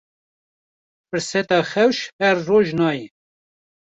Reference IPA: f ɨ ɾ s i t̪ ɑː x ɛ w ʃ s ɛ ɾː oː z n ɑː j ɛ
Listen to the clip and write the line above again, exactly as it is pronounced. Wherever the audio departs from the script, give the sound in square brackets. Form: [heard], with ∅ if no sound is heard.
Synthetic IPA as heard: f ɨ ɾ s [ɛ] t̪ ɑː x ɛ w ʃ [h] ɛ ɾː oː [ʒ] n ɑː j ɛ